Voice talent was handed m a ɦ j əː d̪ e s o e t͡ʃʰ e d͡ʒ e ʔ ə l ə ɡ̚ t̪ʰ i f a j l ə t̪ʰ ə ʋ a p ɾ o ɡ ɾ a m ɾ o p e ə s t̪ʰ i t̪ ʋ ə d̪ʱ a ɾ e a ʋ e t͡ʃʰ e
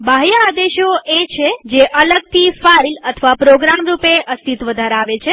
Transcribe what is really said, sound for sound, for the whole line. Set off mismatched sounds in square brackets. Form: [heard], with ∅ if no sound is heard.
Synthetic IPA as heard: [b] a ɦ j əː d̪ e [ʃ] o e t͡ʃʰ e d͡ʒ e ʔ ə l ə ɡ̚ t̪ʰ i f a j l ə t̪ʰ ə ʋ a p ɾ o ɡ ɾ a m ɾ [u] p e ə s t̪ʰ i t̪ ʋ ə d̪ʱ a ɾ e a ʋ e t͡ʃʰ e